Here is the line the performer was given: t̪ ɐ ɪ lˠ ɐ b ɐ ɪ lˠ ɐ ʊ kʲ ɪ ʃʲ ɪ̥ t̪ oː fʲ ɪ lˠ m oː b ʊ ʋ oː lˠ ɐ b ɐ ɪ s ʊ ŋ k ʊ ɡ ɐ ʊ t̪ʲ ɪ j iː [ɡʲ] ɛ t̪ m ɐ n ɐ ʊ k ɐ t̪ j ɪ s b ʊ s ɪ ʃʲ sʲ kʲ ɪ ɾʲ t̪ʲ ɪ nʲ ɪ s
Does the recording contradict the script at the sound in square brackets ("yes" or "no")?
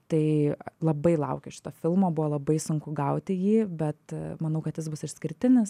yes